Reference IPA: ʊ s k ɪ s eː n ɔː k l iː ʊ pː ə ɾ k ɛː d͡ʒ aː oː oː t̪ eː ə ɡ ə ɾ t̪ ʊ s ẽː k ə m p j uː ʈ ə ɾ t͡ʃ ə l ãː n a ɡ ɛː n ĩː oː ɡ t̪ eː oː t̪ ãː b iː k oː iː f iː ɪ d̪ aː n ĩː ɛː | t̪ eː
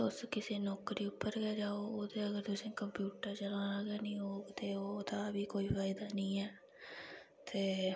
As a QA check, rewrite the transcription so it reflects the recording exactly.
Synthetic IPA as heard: ʊ s k ɪ s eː n ɔː k ɾ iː ʊ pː ə ɾ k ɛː d͡ʒ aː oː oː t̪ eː ə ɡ ə ɾ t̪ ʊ s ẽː k ə m p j uː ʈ ə ɾ t͡ʃ ə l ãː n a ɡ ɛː n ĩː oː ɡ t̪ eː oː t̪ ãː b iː k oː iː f aː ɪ d̪ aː n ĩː ɛː | t̪ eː